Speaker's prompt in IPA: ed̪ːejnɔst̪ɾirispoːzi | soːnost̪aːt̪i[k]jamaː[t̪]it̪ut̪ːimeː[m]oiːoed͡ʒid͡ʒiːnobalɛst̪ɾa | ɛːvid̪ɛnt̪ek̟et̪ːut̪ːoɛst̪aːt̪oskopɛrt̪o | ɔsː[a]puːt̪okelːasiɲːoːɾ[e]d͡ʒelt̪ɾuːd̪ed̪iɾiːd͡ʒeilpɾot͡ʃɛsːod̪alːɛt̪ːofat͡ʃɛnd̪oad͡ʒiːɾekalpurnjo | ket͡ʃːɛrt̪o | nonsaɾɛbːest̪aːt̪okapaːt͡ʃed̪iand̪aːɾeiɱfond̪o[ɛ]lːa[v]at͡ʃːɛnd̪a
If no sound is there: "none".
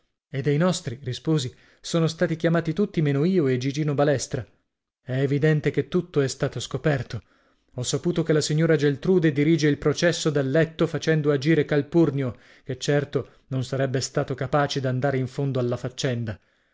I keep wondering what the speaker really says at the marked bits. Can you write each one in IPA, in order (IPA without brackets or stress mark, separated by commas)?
k, t̪, n, a, a, a, f